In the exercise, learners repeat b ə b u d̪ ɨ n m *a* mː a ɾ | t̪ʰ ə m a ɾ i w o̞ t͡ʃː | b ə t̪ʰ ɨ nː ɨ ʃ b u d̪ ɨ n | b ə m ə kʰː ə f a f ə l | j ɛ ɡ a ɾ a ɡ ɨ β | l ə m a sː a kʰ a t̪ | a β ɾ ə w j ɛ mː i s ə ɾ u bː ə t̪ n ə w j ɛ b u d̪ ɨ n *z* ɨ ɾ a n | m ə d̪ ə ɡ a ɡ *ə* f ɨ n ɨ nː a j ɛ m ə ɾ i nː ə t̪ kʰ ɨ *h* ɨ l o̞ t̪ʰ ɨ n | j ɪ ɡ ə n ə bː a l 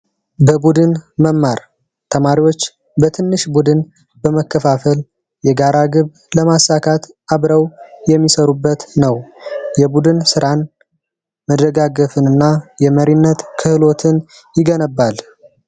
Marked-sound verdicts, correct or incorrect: incorrect: ə, incorrect: s, correct, correct

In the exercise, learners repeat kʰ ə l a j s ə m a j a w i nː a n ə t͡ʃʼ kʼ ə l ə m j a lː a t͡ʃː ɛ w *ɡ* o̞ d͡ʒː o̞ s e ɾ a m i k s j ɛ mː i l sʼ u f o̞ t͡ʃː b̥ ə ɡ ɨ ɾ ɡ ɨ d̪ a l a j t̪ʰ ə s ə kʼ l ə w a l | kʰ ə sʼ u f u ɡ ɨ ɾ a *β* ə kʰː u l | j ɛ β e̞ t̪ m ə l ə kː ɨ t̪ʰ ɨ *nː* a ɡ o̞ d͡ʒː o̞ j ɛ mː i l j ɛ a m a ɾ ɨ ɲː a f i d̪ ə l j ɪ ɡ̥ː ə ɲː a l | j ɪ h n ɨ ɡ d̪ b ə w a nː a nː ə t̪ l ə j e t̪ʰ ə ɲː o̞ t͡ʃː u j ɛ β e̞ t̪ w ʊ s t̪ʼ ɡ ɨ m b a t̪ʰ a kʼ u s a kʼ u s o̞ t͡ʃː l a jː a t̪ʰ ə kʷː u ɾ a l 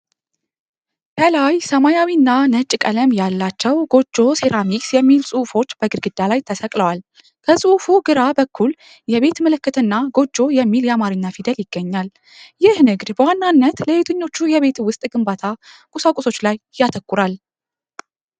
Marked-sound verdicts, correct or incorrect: correct, incorrect: b, correct

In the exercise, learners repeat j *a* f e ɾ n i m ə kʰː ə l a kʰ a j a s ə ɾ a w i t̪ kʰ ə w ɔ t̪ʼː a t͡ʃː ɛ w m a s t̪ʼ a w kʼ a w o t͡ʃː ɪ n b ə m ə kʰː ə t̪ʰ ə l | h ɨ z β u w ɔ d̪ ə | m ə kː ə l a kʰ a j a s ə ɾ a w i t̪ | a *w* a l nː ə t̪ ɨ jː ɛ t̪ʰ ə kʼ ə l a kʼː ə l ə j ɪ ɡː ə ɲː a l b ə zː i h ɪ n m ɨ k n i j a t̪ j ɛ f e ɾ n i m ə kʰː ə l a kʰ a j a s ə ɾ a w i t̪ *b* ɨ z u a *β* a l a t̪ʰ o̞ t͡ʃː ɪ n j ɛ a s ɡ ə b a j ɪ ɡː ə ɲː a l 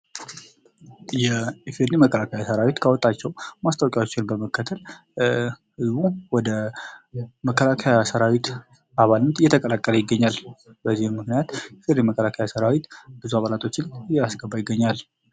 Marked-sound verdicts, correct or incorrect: incorrect: ɛ, incorrect: β, correct, correct

